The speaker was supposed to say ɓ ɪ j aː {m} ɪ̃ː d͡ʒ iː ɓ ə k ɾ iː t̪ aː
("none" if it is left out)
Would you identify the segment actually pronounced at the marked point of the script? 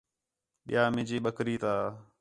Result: m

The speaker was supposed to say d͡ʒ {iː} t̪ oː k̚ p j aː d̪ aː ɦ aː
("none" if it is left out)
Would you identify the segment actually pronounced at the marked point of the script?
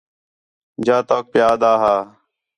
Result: aː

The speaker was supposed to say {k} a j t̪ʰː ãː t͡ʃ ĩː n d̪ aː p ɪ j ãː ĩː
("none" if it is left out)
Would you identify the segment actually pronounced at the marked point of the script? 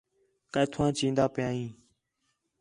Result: k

